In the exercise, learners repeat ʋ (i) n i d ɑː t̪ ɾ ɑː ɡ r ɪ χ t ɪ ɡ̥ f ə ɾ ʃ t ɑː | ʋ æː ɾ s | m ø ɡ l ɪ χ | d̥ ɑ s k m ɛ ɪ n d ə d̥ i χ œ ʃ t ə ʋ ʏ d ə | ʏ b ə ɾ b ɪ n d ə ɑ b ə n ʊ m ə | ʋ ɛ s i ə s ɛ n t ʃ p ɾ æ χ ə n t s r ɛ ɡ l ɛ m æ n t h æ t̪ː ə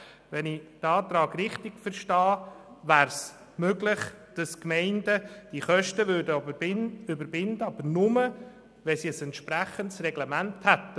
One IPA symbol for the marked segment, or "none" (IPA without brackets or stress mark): ɛ